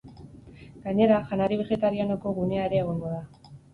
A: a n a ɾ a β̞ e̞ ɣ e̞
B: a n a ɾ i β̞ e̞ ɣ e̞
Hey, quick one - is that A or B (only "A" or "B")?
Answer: B